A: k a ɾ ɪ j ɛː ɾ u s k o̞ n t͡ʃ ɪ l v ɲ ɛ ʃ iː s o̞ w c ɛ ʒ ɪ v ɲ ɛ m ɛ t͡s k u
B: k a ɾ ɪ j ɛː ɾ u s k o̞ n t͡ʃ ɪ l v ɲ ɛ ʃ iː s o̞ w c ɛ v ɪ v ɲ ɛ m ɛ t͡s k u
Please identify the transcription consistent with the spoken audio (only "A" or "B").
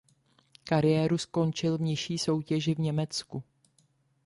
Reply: A